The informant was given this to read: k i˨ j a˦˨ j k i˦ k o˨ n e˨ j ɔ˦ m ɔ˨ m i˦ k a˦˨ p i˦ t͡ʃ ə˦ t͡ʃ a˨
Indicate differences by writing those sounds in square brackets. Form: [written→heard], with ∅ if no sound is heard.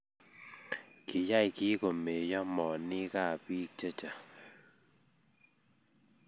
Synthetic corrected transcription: k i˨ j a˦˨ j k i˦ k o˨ [n→m] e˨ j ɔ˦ m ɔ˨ [m→n] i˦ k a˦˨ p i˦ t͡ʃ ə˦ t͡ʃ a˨